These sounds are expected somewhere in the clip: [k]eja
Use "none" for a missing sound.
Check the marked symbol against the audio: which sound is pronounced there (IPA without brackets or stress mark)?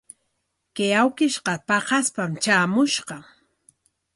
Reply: k